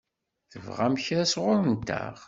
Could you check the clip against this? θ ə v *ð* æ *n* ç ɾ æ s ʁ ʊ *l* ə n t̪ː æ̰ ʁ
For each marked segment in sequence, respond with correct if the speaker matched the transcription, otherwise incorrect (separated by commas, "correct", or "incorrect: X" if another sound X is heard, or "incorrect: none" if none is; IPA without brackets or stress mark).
incorrect: ʁ, incorrect: m, incorrect: ɾ